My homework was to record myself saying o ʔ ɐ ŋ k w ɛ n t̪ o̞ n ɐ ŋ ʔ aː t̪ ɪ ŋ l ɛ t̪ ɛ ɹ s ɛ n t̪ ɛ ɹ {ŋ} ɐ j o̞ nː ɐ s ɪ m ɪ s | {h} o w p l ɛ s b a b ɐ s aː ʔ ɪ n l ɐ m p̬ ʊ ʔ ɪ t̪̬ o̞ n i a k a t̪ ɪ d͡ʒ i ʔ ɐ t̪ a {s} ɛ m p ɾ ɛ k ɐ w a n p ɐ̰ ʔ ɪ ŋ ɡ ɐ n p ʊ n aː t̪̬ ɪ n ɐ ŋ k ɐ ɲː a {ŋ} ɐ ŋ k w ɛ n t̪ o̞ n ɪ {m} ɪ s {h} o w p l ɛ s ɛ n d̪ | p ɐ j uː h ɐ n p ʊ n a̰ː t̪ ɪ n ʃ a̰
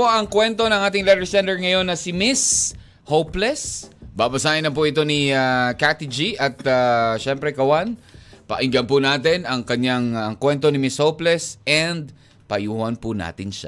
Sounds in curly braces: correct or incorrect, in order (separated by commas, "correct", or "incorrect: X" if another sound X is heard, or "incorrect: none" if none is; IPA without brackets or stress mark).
correct, correct, incorrect: ʃ, correct, correct, correct